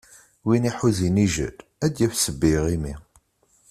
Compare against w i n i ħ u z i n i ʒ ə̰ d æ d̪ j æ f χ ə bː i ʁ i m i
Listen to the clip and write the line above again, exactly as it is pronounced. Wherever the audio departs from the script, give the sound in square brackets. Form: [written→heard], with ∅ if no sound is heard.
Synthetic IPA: w i n i ħ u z i n i ʒ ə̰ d æ d̪ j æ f [χ→s] ə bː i ʁ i m i